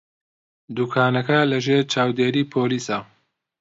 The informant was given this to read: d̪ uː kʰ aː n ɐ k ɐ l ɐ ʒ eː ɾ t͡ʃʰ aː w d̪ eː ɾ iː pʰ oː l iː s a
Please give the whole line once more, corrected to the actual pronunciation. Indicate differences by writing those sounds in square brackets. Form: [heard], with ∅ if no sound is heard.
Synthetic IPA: d̪ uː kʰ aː n ɐ k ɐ l ɐ ʒ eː ɾ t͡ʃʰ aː w d̪ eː ɾ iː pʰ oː l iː s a